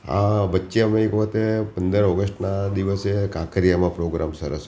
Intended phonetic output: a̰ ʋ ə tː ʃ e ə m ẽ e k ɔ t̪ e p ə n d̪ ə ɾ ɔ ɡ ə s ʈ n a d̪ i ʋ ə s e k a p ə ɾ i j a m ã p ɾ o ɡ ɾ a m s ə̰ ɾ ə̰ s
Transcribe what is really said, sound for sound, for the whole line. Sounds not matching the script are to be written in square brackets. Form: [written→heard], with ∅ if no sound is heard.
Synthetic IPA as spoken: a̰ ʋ ə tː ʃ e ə m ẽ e k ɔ t̪ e p ə n d̪ ə ɾ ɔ ɡ ə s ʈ n a d̪ i ʋ ə s e k a [p→k] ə ɾ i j a m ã p ɾ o ɡ ɾ a m s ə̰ ɾ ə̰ s